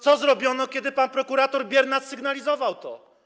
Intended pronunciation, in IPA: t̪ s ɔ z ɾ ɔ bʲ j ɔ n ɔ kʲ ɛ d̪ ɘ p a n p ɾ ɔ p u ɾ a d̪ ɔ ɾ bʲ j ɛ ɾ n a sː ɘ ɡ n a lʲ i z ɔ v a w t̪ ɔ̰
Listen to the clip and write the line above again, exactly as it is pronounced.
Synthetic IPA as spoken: t̪ s ɔ z ɾ ɔ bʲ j ɔ n ɔ kʲ ɛ d̪ ɘ p a n p ɾ ɔ k u ɾ a t̪ ɔ ɾ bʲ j ɛ ɾ n a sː ɘ ɡ n a lʲ i z ɔ v a w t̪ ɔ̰